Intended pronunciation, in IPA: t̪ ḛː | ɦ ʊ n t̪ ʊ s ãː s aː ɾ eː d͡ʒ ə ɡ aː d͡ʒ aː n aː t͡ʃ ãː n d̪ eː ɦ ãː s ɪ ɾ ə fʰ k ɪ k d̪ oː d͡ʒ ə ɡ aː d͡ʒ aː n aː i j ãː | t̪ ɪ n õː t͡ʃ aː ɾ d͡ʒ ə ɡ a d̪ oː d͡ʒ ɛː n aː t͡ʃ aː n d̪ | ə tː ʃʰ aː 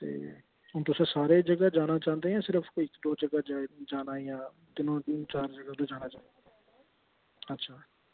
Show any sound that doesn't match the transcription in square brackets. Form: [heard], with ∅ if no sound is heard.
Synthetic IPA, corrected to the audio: t̪ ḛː | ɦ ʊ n t̪ ʊ s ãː s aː ɾ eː d͡ʒ ə ɡ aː d͡ʒ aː n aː t͡ʃ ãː n d̪ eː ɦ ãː s ɪ ɾ ə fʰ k ɪ k d̪ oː d͡ʒ ə ɡ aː d͡ʒ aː n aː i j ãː | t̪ ɪ n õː t͡ʃ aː ɾ d͡ʒ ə ɡ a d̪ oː d͡ʒ [aː] n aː t͡ʃ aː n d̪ | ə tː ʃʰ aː